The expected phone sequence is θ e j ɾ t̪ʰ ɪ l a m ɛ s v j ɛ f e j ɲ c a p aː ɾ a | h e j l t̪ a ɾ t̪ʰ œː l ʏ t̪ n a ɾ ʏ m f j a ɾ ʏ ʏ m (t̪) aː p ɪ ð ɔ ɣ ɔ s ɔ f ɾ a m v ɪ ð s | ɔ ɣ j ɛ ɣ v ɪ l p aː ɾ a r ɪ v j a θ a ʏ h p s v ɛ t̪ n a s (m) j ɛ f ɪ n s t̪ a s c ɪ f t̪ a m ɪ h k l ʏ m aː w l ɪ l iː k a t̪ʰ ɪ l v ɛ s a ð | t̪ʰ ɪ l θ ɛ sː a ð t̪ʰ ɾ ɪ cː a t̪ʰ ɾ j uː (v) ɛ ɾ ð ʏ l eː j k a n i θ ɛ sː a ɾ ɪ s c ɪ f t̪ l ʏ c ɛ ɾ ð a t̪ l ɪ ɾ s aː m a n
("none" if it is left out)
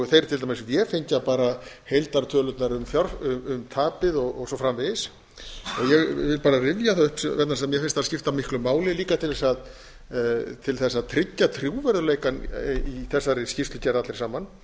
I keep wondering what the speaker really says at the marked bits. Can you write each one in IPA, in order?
t̪ʰ, m, v

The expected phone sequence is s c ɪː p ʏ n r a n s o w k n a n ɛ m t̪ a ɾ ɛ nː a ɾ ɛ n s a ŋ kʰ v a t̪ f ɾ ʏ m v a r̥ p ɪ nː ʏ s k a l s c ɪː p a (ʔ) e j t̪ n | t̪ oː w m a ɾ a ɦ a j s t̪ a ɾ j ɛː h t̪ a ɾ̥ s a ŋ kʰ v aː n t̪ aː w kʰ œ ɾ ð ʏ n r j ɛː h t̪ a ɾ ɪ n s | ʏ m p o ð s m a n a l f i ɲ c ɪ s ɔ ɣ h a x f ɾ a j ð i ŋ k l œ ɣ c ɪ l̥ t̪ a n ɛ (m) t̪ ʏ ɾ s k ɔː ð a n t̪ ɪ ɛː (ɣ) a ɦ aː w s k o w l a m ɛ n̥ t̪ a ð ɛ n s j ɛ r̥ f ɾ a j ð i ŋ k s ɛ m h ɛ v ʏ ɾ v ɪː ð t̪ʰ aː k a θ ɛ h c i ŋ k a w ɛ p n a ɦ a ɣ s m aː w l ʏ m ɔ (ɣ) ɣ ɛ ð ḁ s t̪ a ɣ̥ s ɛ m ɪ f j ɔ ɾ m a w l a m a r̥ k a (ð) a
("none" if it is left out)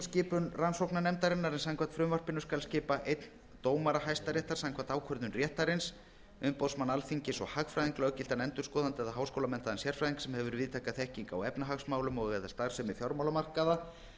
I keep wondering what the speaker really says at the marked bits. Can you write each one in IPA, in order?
ʔ, n, ð, ɣ, ð

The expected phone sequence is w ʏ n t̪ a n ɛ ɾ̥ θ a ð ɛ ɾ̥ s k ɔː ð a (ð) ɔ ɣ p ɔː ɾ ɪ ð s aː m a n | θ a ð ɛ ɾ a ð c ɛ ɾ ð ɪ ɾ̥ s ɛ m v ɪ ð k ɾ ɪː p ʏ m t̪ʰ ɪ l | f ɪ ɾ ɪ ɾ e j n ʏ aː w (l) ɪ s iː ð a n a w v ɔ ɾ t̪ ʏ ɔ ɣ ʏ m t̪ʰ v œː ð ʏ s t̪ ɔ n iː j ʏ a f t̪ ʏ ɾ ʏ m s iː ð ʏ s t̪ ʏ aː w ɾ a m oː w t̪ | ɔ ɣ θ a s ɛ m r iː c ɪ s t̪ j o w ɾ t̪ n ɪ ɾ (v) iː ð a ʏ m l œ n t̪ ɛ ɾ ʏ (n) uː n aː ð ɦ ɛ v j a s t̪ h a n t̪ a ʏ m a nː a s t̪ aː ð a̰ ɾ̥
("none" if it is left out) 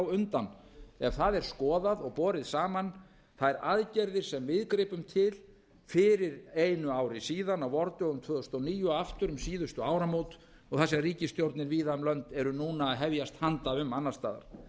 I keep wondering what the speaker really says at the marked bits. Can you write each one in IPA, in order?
ð, ɾ, v, n

